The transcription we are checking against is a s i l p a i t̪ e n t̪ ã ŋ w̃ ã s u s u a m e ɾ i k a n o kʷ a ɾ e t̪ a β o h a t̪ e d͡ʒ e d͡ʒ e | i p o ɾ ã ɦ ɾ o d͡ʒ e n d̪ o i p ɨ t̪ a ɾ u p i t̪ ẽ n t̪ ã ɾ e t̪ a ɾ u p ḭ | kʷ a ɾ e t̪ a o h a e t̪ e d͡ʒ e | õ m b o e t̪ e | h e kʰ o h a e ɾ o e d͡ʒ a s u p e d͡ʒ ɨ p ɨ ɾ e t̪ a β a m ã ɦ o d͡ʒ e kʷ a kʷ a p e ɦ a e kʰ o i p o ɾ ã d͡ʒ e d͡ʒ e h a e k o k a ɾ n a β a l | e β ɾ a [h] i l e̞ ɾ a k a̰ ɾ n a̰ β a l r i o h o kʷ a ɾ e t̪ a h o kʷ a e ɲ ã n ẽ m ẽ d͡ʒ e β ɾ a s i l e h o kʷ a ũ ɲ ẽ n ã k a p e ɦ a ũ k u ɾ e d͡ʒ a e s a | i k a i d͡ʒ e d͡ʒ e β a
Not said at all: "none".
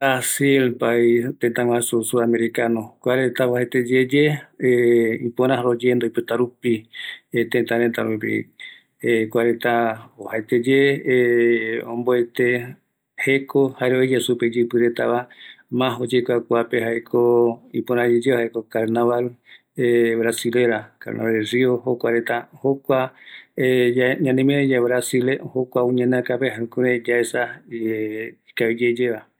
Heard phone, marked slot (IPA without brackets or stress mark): s